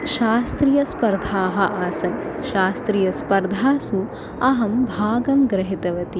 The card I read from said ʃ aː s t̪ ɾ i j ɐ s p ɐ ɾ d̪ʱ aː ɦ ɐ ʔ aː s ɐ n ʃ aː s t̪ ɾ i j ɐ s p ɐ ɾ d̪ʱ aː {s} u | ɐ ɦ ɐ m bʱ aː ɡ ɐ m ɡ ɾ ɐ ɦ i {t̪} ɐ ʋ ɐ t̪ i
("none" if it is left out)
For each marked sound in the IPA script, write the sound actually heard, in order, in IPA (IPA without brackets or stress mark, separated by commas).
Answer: s, t̪